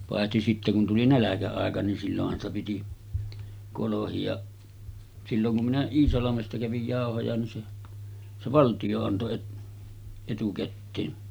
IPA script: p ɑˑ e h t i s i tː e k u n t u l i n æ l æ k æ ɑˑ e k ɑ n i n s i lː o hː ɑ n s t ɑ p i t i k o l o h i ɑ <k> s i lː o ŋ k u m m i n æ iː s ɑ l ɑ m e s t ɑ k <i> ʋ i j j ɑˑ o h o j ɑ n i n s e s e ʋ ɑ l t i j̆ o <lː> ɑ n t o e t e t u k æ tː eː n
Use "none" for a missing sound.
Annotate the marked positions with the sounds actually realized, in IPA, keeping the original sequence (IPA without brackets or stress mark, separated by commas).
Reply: ʔ, æ, none